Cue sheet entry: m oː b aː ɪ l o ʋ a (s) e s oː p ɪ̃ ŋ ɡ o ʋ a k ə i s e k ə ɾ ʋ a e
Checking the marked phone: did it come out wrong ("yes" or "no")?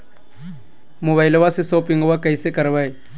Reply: no